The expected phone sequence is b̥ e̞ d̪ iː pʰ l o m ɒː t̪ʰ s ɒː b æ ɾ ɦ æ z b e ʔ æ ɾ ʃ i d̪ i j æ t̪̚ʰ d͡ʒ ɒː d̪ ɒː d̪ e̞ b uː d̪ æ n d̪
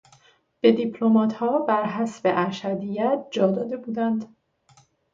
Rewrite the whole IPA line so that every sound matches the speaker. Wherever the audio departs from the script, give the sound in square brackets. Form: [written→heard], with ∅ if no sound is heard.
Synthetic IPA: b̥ e̞ d̪ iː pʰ l o m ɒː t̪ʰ [s→h] ɒː b æ ɾ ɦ æ [z→s] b e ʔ æ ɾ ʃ [i→æ] d̪ i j æ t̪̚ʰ d͡ʒ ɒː d̪ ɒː d̪ e̞ b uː d̪ æ n d̪